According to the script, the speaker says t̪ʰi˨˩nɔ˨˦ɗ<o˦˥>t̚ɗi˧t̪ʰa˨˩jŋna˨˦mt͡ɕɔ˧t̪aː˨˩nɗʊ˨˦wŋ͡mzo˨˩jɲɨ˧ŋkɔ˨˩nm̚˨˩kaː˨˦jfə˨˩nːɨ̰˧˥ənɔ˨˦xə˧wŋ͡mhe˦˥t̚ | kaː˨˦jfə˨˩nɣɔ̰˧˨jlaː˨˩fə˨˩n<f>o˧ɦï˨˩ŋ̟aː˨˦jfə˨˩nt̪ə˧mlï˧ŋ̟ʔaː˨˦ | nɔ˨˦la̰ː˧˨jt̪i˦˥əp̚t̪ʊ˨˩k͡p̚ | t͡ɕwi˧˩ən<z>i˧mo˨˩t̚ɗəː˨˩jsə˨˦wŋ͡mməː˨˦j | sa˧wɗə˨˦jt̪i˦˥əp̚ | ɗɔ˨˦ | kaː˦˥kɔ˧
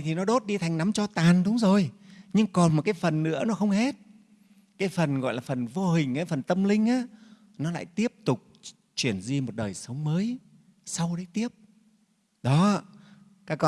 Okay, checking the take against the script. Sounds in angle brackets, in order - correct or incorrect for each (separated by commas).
correct, incorrect, correct